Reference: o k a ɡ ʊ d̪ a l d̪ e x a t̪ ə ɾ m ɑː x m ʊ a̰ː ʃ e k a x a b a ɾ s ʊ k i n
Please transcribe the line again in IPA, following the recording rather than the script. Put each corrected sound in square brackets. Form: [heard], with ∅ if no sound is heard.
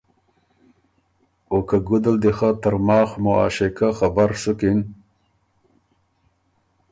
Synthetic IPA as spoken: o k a ɡ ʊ d̪ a l d̪ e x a t̪ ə ɾ m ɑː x m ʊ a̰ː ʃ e k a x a b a ɾ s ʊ k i n

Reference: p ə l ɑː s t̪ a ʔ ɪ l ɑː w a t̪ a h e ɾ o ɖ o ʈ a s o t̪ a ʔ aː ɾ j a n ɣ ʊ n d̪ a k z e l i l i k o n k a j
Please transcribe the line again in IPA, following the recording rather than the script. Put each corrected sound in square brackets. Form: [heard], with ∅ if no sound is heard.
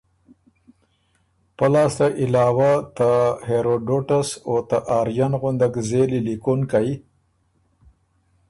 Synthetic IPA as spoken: p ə l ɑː s t̪ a ʔ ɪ l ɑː w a t̪ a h e ɾ o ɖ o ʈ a s o t̪ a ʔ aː ɾ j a n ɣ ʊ n d̪ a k z e l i l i k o n k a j

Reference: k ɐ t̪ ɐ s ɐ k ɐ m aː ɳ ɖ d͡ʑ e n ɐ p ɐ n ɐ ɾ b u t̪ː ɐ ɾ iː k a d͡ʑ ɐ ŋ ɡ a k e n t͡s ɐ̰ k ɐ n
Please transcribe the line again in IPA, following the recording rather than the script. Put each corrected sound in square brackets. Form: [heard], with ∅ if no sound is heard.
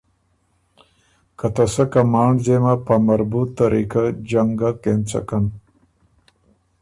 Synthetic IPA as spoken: k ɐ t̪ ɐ s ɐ k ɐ m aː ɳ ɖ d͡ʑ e [m] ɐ p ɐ [m] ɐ ɾ b u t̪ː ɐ ɾ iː k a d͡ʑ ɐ ŋ ɡ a k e n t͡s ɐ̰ k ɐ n

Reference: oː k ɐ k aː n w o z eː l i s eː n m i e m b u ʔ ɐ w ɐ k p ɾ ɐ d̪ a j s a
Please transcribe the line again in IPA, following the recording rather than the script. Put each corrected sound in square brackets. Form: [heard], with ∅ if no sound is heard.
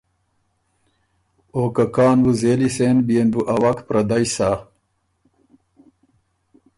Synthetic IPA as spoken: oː k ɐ k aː n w [u] z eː l i s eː n [b] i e [n] b u ʔ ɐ w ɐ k p ɾ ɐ d̪ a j s a

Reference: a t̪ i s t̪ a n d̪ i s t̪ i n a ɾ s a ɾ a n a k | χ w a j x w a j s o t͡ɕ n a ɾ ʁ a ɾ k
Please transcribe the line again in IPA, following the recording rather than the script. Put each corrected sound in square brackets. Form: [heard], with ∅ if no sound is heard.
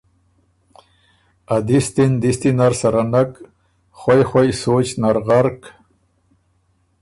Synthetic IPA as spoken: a [d̪] i s t̪ [i] n d̪ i s t̪ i n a ɾ s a ɾ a n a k | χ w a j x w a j s o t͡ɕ n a ɾ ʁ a ɾ k

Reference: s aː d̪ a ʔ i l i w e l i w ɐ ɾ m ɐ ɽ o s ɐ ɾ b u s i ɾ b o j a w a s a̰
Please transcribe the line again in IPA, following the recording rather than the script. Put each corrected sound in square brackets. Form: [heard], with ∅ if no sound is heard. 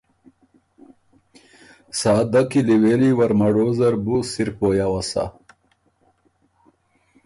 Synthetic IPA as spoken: s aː d̪ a [k] i l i w e l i w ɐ ɾ m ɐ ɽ o [z] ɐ ɾ b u s i ɾ [p] o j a w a s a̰

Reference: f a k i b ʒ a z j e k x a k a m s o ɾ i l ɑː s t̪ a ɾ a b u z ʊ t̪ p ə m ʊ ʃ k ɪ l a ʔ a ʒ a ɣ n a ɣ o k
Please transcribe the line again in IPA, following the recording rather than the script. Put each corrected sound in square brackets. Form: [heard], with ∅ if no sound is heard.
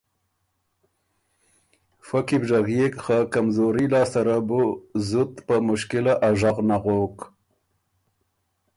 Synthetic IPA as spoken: f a k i b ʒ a [ɣ] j e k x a k a m [z] o ɾ i l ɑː s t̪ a ɾ a b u z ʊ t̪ p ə m ʊ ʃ k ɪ l a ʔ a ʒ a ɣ n a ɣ o k

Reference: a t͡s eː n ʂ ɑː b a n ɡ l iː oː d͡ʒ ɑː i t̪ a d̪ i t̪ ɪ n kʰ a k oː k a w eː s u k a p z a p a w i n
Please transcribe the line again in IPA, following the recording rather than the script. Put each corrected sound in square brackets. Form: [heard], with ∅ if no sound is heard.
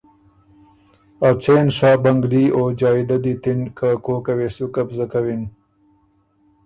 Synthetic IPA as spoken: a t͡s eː n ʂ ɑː b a [ŋ] ɡ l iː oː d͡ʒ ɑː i [d̪] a d̪ i t̪ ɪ n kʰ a k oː k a w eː s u k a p z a [k] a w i n

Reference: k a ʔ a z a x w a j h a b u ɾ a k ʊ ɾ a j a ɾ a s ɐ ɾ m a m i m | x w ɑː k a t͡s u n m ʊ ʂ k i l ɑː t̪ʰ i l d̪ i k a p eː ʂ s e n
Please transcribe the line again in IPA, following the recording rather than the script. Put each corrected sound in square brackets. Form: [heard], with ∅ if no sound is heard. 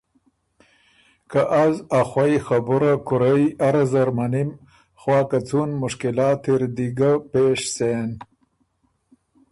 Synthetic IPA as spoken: k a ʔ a z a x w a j [x] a b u ɾ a k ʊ ɾ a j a ɾ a [z] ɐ ɾ m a [n] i m | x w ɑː k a t͡s u n m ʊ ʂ k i l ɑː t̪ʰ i [ɾ] d̪ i [ɡ] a p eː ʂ s e n

